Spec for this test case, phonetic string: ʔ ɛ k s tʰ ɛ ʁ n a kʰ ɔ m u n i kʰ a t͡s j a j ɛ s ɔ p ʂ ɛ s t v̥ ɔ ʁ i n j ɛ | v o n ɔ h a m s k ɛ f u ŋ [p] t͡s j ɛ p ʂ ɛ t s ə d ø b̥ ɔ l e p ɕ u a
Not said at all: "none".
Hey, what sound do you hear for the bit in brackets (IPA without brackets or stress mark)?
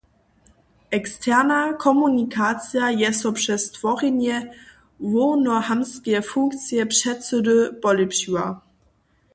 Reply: k